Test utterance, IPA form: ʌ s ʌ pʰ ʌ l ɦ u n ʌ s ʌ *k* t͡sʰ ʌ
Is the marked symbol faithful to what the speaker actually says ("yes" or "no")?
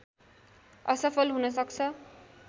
yes